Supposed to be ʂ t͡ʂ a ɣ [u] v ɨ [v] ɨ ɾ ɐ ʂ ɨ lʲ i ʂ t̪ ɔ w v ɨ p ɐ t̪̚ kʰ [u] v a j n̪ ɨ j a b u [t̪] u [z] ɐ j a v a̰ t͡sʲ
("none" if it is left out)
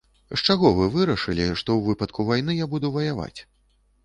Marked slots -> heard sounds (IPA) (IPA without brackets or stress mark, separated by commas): ɔ, v, u, d̪, v